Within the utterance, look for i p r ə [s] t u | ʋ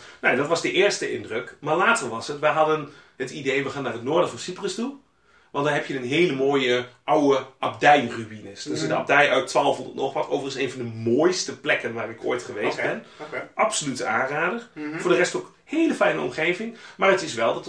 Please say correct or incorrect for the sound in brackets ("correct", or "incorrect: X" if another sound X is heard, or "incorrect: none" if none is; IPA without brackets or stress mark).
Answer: correct